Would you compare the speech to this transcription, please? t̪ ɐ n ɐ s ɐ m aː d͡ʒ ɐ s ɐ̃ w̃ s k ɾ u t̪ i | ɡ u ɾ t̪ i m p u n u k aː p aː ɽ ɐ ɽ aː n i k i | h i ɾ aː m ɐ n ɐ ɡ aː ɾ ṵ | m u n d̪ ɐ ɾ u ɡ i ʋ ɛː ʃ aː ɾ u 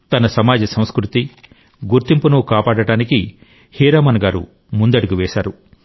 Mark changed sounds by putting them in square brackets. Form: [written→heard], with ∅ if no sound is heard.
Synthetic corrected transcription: t̪ ɐ n ɐ s ɐ m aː d͡ʒ ɐ s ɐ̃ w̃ s k ɾ u t̪ i | ɡ u ɾ t̪ i m p u n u k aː p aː ɽ ɐ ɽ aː n i k i | h [i→iː] ɾ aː m ɐ n ɐ ɡ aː ɾ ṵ | m u n d̪ ɐ [ɾ→ɽ] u ɡ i ʋ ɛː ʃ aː ɾ u